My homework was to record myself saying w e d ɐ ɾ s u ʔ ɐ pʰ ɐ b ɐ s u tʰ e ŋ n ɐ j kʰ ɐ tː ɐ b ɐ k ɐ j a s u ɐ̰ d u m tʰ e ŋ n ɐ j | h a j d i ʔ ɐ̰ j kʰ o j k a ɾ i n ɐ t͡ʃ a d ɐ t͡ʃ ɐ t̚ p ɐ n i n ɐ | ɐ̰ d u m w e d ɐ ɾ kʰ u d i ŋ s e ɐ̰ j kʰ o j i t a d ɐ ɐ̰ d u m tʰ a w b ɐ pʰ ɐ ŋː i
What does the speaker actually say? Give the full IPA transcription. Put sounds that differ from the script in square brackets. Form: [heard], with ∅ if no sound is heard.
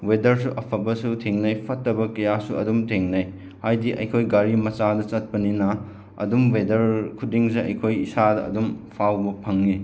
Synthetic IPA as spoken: w e d ɐ ɾ s u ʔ ɐ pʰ ɐ b ɐ s u tʰ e ŋ n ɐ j [pʰ] ɐ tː ɐ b ɐ k ɐ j a s u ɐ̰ d u m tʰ e ŋ n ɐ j | h a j d i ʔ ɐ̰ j kʰ o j [ɡ] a ɾ i [m] ɐ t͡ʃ a d ɐ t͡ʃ ɐ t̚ p ɐ n i n ɐ | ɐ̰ d u m w e d ɐ ɾ kʰ u d i ŋ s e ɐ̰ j kʰ o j i [s] a d ɐ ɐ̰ d u m [pʰ] a w b ɐ pʰ ɐ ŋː i

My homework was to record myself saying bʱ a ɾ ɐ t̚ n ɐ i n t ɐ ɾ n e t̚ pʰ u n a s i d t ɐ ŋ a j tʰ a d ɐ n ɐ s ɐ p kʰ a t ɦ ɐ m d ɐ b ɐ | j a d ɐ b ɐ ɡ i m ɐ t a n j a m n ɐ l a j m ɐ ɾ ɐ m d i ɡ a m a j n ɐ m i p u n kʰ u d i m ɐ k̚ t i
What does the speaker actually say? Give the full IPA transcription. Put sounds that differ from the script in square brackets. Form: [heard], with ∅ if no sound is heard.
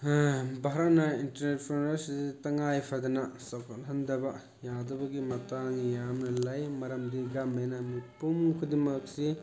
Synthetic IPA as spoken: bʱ a ɾ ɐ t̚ n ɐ i n t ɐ ɾ n e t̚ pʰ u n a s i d t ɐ ŋ a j [pʰ] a d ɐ n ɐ s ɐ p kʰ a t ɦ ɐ [n] d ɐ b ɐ | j a d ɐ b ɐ ɡ i m ɐ t a [ŋ] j a m n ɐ l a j m ɐ ɾ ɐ m d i ɡ a m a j n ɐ m i p u [m] kʰ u d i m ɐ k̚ [s] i

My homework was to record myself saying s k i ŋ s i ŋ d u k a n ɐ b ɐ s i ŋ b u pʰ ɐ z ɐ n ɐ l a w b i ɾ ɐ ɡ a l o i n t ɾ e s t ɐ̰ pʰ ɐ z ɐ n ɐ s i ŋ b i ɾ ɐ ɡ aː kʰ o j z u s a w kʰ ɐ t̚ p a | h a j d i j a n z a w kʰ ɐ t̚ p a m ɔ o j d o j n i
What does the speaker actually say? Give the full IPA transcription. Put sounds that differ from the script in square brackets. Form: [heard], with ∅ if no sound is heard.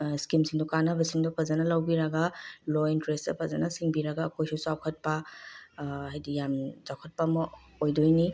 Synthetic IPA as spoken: s k i [m] s i ŋ d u k a n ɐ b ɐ s i ŋ [d] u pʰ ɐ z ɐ n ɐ l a w b i ɾ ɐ ɡ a l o i n t ɾ e s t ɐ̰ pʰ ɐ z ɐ n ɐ s i ŋ b i ɾ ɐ ɡ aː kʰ o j [s] u s a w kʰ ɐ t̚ p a | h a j d i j a [m] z a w kʰ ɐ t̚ p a m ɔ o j d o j n i

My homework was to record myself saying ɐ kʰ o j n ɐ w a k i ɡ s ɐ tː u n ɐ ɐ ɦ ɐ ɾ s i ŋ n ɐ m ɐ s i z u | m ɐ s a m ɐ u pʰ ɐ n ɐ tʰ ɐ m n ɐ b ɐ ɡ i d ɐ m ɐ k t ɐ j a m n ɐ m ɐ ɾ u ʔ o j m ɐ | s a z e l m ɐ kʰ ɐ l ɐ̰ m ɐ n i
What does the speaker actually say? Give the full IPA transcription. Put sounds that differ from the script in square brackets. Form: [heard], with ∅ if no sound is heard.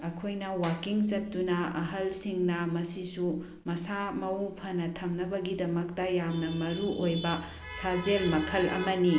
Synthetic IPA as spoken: ɐ kʰ o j n ɐ w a k i [ŋ] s ɐ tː u n ɐ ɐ ɦ ɐ [l] s i ŋ n ɐ m ɐ s i [s] u | m ɐ s a m ɐ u pʰ ɐ n ɐ tʰ ɐ m n ɐ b ɐ ɡ i d ɐ m ɐ k t ɐ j a m n ɐ m ɐ ɾ u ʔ o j [b] ɐ | s a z e l m ɐ kʰ ɐ l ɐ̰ m ɐ n i

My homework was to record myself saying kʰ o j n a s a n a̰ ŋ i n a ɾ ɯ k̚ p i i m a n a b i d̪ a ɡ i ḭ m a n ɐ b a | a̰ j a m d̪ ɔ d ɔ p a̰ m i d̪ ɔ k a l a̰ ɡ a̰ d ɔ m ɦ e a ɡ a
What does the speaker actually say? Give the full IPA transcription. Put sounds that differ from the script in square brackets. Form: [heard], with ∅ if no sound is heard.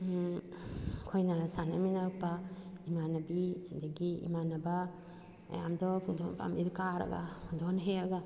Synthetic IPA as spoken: kʰ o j n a s a n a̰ [m] i n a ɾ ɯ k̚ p [a] i m a n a b i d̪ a ɡ i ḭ m a n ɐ b a | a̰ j a m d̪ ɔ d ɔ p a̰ m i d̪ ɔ k a [ɾ] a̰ ɡ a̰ d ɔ [n] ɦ e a ɡ a

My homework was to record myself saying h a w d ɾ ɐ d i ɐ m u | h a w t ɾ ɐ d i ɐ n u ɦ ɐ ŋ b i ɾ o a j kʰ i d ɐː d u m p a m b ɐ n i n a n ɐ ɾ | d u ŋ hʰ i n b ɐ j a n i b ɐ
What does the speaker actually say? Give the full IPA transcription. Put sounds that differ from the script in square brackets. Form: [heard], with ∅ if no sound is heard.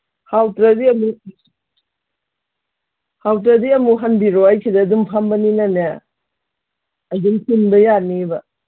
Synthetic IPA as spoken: h a w [t] ɾ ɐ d i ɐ m u | h a w t ɾ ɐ d i ɐ [m] u ɦ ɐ [n] b i ɾ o a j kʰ i d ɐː d u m [pʰ] a m b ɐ n i n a n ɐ [∅] | d u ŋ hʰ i n b ɐ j a n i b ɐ

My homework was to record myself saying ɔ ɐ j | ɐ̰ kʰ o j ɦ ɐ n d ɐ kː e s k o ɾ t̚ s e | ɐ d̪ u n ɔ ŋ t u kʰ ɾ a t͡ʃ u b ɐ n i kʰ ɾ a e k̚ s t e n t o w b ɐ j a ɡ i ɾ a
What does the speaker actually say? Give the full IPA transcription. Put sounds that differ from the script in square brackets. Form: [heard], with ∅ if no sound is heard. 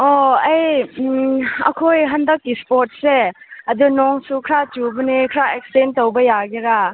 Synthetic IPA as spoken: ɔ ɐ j | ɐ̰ kʰ o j ɦ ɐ n d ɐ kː [i] s [p] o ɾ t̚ s e | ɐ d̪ u n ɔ ŋ [s] u kʰ ɾ a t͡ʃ u b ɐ n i kʰ ɾ a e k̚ s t e n t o w b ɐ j a ɡ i ɾ a

